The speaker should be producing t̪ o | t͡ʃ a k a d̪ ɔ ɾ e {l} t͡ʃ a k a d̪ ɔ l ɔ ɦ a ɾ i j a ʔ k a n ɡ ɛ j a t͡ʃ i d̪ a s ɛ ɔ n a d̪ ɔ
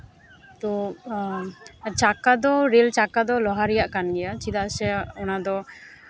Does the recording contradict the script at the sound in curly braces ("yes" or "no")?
no